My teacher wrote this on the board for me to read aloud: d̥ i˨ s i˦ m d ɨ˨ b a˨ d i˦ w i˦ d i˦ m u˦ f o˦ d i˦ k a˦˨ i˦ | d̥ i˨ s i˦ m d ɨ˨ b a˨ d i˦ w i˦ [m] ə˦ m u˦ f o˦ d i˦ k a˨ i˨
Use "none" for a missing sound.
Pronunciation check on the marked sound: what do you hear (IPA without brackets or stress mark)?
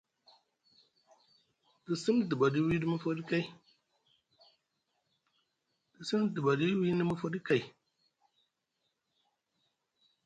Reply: n